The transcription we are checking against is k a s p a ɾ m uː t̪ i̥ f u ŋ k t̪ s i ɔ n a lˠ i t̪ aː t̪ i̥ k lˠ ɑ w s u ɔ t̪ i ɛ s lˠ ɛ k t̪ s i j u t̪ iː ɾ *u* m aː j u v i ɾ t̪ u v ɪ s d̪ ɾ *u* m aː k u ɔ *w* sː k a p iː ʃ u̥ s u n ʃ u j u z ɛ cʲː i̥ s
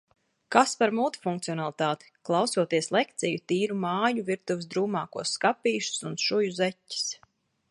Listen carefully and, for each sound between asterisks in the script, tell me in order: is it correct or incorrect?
correct, incorrect, incorrect

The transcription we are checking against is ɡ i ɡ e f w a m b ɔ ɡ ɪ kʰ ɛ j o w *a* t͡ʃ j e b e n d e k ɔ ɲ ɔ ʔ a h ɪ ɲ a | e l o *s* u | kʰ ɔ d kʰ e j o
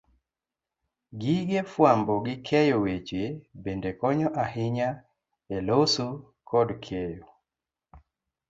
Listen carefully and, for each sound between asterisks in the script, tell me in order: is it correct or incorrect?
incorrect, correct

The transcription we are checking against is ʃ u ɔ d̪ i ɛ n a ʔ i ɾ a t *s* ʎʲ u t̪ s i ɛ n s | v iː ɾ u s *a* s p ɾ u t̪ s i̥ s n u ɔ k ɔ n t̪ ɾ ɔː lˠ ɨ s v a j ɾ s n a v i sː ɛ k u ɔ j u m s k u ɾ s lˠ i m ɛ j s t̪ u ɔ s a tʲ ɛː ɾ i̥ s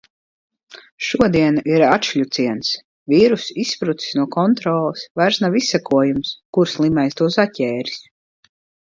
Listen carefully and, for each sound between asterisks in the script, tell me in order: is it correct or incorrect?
incorrect, incorrect

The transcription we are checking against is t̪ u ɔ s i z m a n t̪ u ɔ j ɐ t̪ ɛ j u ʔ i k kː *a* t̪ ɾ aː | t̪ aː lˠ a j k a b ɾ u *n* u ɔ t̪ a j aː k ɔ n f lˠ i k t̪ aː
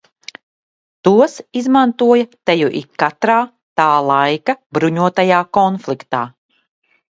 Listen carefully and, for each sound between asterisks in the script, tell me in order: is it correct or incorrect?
correct, incorrect

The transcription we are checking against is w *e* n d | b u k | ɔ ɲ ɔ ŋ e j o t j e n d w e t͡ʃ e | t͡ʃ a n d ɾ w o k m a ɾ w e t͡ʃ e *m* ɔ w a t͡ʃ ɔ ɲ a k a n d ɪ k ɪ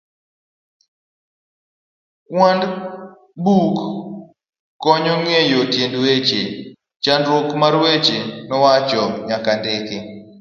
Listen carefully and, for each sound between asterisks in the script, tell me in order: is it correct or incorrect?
incorrect, incorrect

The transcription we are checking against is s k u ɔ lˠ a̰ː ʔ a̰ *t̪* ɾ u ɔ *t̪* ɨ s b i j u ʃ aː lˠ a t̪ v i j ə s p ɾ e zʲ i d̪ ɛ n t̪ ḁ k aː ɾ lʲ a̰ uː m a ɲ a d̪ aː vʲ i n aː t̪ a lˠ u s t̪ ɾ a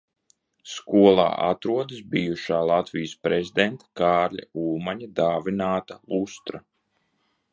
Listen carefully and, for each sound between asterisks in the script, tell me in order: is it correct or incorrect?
correct, incorrect

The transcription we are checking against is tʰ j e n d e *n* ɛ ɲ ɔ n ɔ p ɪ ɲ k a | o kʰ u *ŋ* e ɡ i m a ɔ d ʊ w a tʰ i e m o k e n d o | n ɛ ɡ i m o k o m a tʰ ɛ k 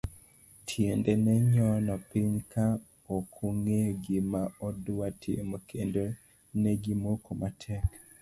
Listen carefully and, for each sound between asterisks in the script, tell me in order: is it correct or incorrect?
correct, correct

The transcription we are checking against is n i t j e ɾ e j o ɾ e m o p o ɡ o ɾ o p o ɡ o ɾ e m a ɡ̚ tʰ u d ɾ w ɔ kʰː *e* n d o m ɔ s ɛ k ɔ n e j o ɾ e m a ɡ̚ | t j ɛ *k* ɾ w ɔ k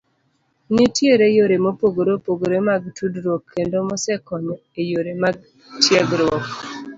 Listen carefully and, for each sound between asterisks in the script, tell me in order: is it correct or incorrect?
correct, incorrect

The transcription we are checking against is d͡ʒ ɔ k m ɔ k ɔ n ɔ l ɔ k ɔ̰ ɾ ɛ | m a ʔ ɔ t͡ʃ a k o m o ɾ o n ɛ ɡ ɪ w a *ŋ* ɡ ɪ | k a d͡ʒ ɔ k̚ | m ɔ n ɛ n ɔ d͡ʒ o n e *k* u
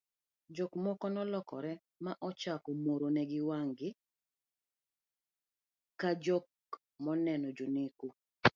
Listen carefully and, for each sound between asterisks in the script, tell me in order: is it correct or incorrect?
correct, correct

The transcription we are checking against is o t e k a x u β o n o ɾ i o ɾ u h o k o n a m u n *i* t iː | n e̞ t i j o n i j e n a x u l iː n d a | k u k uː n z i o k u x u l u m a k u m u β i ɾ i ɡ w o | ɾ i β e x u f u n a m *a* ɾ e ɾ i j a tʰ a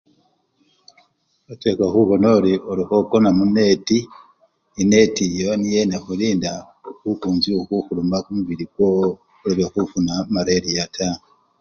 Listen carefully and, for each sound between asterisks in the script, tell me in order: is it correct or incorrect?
incorrect, correct

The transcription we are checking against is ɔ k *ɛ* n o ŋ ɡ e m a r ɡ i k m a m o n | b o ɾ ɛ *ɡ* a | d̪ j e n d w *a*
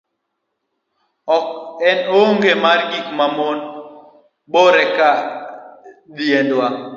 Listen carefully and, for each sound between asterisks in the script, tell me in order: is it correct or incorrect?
correct, incorrect, correct

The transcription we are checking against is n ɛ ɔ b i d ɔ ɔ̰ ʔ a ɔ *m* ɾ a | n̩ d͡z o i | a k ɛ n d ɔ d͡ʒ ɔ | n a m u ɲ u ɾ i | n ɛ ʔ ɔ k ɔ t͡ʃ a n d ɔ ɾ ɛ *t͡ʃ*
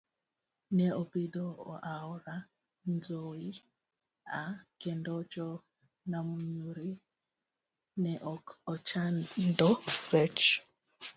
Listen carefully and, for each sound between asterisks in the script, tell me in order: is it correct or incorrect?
incorrect, correct

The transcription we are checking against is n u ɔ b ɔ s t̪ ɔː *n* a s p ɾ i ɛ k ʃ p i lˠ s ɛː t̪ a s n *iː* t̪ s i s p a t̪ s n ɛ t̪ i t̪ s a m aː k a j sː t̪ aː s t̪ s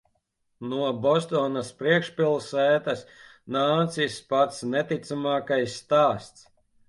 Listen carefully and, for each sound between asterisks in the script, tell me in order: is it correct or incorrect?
correct, incorrect

